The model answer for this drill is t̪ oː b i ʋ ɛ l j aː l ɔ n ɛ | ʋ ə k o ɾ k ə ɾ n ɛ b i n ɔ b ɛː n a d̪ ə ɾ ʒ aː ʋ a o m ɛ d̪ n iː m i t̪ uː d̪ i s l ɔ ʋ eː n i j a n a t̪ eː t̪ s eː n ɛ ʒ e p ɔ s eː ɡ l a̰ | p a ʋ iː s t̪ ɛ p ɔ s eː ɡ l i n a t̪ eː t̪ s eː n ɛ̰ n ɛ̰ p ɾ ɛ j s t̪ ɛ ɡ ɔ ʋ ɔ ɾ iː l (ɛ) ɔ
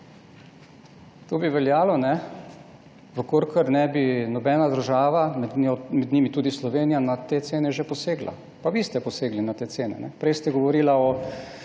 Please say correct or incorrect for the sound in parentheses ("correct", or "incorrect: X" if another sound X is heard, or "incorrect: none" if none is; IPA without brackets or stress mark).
incorrect: a